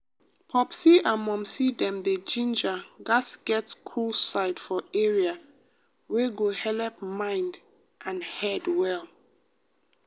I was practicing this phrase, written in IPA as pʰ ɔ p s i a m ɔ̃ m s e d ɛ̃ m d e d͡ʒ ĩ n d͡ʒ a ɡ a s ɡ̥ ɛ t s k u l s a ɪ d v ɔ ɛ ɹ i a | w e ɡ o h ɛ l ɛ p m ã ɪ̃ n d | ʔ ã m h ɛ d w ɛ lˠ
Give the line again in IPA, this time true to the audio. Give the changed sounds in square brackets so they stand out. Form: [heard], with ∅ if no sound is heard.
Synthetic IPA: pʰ ɔ p s i a m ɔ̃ m s [i] d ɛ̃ m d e d͡ʒ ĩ n d͡ʒ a ɡ a s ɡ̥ ɛ t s [kʰ] u l s a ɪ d [f] ɔ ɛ ɹ i a | w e ɡ o h ɛ l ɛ p m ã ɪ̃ n d | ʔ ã [n] h ɛ d w ɛ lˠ